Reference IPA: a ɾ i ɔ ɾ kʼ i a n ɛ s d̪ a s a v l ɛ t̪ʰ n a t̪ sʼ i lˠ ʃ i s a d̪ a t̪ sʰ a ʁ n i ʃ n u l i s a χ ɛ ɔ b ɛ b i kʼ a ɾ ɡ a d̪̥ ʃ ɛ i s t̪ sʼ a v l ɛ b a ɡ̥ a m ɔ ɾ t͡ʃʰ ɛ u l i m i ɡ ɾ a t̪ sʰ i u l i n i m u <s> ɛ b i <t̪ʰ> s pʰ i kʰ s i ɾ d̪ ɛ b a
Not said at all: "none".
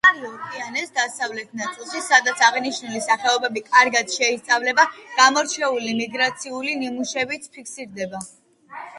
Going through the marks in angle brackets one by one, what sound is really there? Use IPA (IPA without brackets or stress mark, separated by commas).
ʃ, t̪